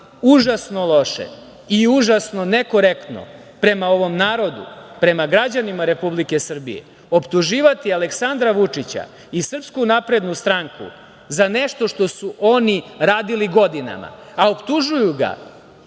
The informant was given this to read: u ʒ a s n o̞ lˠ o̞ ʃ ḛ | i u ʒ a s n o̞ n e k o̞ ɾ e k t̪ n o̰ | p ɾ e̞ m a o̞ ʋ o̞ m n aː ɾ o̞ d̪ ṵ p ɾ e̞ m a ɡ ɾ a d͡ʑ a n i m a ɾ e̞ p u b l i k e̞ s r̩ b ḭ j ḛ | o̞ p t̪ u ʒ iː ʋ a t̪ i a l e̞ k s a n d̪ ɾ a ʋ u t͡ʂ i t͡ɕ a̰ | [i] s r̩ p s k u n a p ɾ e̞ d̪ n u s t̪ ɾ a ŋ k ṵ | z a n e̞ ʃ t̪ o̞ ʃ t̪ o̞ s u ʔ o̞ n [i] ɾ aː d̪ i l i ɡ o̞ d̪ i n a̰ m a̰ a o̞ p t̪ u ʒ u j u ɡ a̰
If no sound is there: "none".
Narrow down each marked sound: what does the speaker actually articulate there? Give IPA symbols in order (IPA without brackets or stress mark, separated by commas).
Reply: i, i